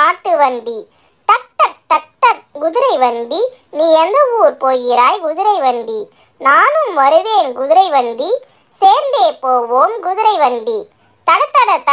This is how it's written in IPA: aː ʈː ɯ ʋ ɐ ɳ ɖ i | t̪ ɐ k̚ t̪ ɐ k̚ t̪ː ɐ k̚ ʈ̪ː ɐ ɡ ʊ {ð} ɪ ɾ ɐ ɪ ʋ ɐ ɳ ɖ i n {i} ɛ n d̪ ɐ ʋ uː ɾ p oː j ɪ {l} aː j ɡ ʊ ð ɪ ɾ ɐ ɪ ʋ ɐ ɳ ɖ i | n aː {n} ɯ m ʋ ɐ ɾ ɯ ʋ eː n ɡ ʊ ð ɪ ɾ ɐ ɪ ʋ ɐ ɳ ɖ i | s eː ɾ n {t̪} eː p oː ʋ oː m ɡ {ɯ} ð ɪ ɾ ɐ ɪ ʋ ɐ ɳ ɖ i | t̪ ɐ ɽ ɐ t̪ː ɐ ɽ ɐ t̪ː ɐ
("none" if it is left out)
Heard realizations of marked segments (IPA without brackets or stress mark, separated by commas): ð, iː, ɾ, n, d̪, ʊ